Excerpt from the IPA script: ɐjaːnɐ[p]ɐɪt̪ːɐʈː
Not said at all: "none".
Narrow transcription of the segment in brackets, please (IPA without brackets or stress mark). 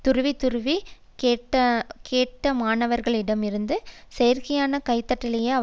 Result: k